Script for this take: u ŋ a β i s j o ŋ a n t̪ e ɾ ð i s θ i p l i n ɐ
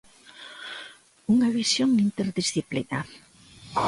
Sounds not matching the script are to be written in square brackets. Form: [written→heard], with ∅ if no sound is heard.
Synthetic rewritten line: u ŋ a β i s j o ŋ [a→i] n t̪ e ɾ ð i s θ i p l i n [ɐ→a]